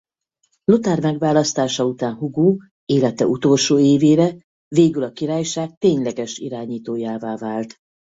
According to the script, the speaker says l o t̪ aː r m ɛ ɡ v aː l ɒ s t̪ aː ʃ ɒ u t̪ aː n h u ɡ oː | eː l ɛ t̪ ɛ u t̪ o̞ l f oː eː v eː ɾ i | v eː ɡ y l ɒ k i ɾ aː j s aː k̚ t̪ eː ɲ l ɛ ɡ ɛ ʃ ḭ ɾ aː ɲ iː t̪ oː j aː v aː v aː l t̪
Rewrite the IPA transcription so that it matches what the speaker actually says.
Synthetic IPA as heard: l o t̪ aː r m ɛ ɡ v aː l ɒ s t̪ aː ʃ ɒ u t̪ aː n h u ɡ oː | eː l ɛ t̪ ɛ u t̪ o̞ l ʃ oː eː v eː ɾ ɛ | v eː ɡ y l ɒ k i ɾ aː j ʃ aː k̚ t̪ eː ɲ l ɛ ɡ ɛ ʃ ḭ ɾ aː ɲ iː t̪ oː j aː v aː v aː l t̪